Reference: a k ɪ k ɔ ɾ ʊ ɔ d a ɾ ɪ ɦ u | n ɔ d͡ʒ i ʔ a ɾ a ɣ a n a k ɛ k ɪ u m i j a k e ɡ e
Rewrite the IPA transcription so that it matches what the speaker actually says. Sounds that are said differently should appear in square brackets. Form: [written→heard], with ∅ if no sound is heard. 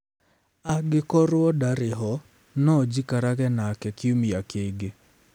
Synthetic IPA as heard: a [k→ɡ] ɪ k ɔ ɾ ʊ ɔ d a ɾ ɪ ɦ [u→ɔ] | n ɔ d͡ʒ i [ʔ→k] a ɾ a ɣ [a→ɛ] n a k ɛ k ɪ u m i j a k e ɡ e